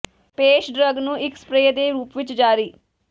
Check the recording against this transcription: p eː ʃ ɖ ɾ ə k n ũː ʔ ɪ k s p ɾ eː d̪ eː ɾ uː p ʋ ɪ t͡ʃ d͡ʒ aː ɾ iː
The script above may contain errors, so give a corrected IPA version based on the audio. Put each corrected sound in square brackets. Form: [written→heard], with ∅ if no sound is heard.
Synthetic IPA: p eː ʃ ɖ ɾ ə [k→ɡ] n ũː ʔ ɪ k s p ɾ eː d̪ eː ɾ uː p ʋ ɪ t͡ʃ d͡ʒ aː ɾ iː